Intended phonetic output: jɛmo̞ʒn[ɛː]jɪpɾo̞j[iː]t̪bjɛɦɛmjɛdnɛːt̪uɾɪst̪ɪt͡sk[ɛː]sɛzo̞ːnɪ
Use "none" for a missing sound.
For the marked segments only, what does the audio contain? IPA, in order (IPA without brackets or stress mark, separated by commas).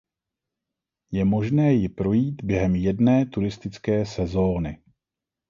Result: ɛː, iː, ɛː